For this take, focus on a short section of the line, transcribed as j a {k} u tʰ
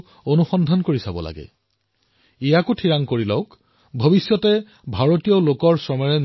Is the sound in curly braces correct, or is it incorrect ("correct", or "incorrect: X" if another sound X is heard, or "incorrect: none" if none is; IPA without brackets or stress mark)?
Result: correct